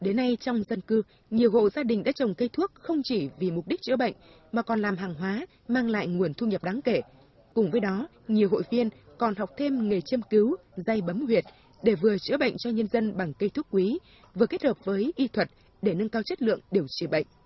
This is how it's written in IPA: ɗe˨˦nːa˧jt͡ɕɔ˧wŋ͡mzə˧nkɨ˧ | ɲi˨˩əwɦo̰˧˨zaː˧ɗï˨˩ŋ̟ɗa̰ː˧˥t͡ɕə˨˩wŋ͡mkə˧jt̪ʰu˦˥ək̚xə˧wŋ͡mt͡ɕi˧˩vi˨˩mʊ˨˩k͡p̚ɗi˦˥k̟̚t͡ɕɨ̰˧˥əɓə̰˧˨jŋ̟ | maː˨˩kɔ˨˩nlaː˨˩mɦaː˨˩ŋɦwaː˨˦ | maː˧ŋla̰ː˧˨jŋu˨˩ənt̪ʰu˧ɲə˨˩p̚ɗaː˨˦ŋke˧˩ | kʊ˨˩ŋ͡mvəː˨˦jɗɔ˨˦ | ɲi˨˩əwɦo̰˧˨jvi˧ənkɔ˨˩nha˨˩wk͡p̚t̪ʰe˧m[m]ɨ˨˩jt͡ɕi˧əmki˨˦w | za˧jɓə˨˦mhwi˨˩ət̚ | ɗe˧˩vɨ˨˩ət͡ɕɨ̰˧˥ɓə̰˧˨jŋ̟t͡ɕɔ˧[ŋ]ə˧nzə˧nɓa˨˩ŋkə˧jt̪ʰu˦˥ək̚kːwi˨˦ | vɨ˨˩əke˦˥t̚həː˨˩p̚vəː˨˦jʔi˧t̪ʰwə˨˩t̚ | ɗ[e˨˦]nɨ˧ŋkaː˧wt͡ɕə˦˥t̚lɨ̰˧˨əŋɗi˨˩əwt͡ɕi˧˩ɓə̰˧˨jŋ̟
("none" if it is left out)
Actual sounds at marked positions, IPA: ŋ, ɲ, e˧˩

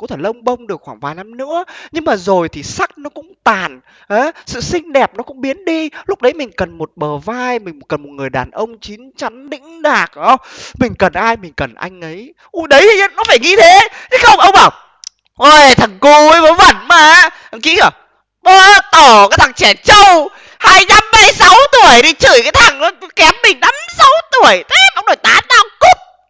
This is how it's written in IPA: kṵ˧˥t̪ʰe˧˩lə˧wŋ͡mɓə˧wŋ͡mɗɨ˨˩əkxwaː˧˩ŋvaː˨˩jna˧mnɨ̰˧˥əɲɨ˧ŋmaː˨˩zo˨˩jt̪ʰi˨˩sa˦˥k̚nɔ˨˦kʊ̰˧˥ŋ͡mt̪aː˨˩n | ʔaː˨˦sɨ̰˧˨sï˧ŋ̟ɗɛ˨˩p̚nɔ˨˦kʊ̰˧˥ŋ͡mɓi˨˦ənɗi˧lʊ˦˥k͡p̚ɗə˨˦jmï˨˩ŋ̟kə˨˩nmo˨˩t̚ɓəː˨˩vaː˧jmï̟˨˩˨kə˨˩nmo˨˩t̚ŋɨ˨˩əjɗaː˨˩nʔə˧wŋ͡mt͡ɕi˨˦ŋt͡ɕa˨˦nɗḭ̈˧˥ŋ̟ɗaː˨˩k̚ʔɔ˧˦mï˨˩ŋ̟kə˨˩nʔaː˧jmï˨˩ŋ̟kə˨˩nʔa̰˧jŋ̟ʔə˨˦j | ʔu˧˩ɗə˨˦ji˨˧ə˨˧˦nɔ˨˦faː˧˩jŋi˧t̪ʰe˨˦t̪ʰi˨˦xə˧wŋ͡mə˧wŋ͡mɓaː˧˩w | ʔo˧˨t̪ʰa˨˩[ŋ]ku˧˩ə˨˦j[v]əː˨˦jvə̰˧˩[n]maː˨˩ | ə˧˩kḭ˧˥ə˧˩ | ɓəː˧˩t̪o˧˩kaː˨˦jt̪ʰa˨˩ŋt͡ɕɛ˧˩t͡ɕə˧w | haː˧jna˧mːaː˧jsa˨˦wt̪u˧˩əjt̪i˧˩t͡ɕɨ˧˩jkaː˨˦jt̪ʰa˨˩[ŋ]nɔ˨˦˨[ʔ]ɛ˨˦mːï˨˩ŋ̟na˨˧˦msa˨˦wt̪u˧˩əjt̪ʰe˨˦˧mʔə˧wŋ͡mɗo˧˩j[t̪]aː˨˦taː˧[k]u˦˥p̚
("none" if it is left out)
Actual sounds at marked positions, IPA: ŋ, v, n, ŋ, k, t̪, k

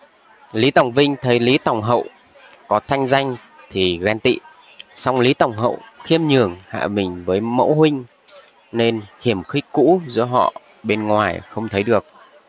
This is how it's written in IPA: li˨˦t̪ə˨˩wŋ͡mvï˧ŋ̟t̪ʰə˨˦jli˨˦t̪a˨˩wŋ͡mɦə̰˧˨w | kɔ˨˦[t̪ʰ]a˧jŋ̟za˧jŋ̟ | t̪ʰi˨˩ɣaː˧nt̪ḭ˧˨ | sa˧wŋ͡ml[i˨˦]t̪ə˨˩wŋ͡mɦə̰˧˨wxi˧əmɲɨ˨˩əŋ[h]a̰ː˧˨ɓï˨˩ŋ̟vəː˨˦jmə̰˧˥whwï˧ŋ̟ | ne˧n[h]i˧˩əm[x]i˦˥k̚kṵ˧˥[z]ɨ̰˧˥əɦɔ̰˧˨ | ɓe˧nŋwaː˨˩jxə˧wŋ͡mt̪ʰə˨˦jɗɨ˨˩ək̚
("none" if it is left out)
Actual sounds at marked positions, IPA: t̪ʰ, i˨˦, h, h, x, z

